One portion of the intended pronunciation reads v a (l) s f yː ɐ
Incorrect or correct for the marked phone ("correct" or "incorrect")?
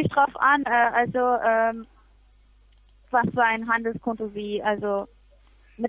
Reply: incorrect